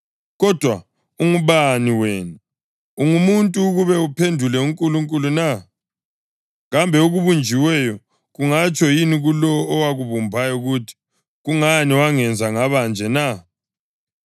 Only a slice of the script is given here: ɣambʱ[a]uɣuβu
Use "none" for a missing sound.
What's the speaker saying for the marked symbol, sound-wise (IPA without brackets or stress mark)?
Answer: ɛ